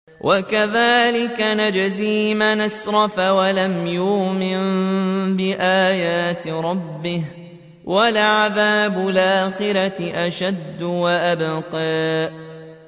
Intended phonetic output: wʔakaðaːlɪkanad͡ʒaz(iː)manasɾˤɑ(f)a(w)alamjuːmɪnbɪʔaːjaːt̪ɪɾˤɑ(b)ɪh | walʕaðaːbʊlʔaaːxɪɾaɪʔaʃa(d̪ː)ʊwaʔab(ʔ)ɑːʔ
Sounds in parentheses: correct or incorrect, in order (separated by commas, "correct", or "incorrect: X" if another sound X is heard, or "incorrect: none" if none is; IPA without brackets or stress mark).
correct, correct, correct, incorrect: bː, correct, incorrect: q